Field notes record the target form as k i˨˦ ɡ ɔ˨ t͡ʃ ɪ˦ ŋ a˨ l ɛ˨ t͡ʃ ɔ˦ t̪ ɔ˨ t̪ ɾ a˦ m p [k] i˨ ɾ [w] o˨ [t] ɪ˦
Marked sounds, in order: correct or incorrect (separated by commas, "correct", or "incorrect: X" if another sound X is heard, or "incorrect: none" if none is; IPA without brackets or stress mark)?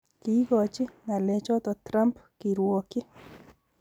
correct, correct, incorrect: k